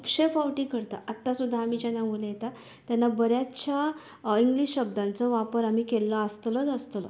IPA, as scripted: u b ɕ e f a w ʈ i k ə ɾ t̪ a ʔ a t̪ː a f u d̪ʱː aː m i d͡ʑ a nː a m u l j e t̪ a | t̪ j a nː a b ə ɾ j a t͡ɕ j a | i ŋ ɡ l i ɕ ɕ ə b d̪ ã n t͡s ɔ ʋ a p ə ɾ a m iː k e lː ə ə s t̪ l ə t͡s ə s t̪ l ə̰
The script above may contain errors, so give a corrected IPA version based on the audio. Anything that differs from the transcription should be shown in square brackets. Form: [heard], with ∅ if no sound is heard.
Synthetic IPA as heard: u [p] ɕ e f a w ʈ i k ə ɾ t̪ a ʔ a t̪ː a [s] u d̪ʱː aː m i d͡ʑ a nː a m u l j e t̪ a | t̪ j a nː a b ə ɾ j a t͡ɕ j a | i ŋ ɡ l i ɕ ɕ ə b d̪ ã n t͡s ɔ ʋ a p ə ɾ a m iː k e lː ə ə s t̪ l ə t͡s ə s t̪ l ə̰